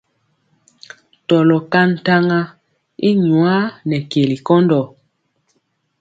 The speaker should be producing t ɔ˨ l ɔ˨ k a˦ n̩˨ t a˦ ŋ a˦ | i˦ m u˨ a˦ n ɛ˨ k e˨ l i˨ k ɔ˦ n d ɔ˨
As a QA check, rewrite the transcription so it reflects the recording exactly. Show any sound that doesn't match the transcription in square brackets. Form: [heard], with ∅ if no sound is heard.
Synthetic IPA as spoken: t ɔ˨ l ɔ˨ k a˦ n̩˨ t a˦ ŋ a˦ | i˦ [ɲ] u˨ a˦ n ɛ˨ k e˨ l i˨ k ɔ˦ n d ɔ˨